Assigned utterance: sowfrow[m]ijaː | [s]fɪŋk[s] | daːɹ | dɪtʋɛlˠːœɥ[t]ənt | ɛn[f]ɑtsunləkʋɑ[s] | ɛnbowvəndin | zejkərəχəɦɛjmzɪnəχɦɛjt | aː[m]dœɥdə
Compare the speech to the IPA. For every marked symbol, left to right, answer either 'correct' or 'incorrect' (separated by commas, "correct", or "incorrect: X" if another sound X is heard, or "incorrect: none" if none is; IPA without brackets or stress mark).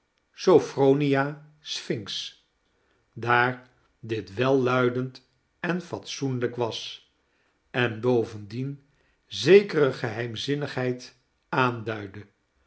incorrect: n, correct, correct, incorrect: d, correct, correct, incorrect: n